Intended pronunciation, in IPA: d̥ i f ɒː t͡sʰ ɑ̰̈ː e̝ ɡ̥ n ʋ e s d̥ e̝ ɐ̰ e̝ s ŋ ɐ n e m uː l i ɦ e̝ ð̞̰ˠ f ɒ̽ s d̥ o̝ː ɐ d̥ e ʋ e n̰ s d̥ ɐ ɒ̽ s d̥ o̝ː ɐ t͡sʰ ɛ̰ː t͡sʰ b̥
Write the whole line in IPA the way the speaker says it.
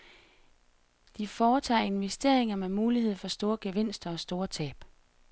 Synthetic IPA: d̥ i f ɒː t͡sʰ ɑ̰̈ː e̝ n ʋ e s d̥ e̝ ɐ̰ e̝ ŋ ɐ m e m uː l i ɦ e̝ ð̞̰ˠ f ɒ̽ s d̥ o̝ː ɐ ɡ̥ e ʋ e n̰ s d̥ ɐ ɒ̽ s d̥ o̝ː ɐ t͡sʰ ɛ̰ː b̥